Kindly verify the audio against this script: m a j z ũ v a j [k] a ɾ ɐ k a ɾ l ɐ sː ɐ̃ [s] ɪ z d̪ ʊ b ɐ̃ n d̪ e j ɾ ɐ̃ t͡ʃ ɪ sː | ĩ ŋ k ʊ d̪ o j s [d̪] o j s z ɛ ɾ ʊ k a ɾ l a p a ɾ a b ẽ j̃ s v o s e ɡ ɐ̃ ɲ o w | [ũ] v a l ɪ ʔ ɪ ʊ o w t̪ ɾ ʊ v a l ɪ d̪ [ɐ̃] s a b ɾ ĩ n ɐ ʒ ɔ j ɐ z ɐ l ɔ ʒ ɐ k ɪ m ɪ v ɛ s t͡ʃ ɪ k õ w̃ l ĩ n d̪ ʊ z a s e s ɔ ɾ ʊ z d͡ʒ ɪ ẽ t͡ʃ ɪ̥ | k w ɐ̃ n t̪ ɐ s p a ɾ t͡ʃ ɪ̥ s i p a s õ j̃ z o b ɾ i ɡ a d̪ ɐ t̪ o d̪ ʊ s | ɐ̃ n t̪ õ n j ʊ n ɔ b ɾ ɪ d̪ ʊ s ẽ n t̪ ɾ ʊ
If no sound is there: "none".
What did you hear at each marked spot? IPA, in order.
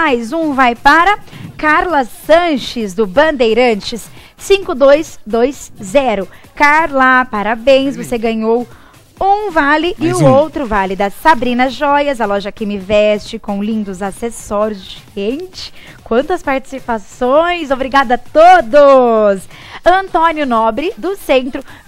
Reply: p, ʃ, d̪, ũ, ɐ

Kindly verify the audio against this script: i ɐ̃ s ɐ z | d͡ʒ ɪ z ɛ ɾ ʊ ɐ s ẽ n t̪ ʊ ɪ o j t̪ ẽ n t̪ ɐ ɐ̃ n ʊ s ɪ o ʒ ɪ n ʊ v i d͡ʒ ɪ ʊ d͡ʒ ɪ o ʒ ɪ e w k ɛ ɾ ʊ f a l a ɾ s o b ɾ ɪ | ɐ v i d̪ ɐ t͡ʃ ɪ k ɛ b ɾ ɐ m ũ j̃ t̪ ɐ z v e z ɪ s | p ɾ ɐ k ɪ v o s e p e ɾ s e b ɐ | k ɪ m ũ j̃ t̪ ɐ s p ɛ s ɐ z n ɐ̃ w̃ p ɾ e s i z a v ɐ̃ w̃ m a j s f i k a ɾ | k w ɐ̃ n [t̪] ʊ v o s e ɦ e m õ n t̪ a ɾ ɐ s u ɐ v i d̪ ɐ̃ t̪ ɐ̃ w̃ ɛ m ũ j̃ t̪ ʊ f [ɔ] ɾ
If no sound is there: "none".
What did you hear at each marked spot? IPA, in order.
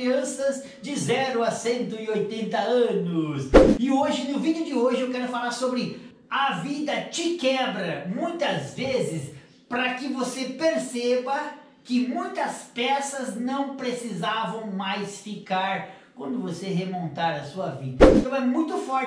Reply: d̪, ɔ

